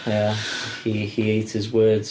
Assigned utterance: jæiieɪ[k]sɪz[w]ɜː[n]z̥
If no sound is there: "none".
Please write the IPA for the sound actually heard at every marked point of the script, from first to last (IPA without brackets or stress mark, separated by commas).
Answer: t, w, d